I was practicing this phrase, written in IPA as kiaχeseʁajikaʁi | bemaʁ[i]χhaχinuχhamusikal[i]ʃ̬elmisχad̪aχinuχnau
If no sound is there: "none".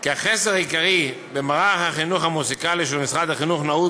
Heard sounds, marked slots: a, i

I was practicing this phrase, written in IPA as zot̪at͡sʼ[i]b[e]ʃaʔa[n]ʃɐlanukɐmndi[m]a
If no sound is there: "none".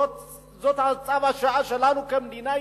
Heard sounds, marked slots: a, a, none, n

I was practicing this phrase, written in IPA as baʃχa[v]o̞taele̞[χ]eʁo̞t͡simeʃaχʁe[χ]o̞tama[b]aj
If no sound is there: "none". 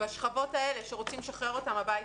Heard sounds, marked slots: v, ʃ, ʁ, b

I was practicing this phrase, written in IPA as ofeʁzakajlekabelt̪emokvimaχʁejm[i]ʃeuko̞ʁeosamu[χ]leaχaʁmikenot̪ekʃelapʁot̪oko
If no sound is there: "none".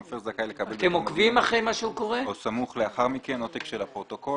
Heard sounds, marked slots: a, χ

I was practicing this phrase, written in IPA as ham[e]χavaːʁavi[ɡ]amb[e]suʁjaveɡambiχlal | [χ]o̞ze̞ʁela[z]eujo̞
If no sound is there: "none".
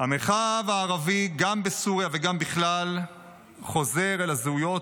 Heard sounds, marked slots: e, ɡ, e, χ, z

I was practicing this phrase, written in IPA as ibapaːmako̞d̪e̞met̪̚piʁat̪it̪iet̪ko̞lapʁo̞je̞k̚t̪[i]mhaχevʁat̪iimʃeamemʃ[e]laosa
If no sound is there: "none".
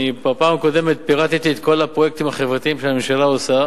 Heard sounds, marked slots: i, a

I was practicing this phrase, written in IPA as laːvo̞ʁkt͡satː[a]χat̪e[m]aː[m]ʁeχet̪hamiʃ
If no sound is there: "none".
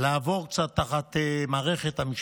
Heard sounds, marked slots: a, m, none

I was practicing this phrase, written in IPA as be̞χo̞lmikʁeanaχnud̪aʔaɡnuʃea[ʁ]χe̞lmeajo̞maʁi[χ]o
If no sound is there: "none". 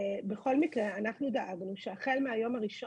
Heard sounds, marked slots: none, ʃ

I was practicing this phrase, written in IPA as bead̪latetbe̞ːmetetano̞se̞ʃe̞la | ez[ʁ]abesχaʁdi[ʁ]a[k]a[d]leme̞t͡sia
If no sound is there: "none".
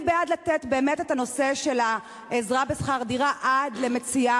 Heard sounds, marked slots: ʁ, ʁ, ʔ, d

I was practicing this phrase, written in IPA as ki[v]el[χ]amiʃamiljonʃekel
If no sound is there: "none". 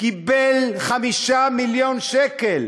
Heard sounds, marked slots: b, χ

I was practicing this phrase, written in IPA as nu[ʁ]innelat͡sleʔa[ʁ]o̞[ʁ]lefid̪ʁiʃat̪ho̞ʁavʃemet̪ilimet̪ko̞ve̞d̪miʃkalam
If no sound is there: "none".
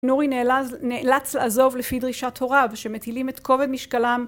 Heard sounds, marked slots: ʁ, z, v

